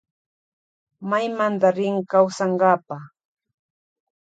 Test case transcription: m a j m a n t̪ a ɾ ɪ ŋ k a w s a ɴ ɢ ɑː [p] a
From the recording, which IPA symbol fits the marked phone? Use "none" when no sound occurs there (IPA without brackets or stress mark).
p